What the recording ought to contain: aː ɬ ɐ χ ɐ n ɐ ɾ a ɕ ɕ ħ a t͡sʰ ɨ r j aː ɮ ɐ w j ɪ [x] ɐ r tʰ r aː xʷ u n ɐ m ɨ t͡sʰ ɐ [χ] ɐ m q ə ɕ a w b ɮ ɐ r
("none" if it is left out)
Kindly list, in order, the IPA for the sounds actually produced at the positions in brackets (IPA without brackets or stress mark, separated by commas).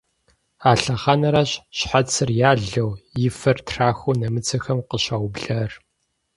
f, x